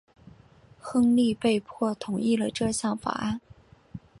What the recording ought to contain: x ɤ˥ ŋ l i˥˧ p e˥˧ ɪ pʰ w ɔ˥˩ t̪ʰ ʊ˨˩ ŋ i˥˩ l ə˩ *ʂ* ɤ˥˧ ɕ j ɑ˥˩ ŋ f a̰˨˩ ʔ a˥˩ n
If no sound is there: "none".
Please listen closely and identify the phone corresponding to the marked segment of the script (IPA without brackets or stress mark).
ʈ͡ʂ